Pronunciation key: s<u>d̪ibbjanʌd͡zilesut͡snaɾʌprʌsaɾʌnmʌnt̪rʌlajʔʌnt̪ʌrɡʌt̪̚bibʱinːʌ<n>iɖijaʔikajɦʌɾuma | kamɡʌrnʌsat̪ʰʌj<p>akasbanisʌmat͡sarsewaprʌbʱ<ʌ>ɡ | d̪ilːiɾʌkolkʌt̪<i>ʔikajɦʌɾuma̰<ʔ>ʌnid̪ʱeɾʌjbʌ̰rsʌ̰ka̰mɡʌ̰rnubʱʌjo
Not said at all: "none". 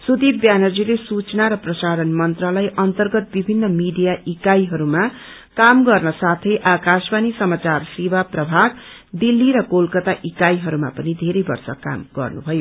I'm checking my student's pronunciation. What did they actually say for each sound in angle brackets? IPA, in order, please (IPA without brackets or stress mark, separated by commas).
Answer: u, m, ʔ, a, a, p